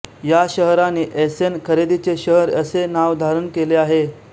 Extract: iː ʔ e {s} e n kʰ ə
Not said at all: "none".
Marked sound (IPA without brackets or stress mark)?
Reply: s